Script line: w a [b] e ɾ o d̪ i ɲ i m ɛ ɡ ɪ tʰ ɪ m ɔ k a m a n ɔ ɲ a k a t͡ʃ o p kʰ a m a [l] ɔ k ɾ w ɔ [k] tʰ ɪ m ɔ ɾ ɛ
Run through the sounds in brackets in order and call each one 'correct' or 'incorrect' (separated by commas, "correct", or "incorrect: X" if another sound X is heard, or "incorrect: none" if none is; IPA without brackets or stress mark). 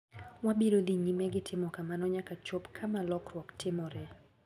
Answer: correct, correct, correct